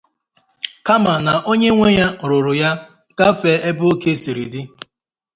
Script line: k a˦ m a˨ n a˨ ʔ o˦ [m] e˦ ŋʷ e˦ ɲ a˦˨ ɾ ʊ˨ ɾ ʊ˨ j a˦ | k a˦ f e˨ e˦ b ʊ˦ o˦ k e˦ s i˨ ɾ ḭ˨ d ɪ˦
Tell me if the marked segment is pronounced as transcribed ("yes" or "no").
no